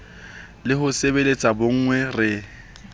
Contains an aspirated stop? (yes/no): no